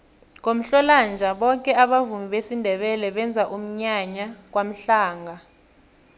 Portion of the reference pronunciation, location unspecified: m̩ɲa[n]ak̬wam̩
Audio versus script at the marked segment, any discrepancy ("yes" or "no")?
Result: yes